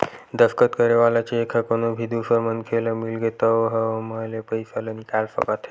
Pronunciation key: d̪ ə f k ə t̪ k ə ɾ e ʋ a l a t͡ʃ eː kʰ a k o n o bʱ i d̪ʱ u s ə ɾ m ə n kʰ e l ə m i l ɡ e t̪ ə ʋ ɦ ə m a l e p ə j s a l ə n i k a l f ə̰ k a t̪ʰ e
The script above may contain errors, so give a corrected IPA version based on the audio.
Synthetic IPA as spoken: d̪ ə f k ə t̪ k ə ɾ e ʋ a l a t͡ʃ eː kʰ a k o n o bʱ i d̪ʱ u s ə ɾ m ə n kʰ e l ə m i l ɡ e t̪ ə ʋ ɦ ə m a l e p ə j s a l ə n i k a l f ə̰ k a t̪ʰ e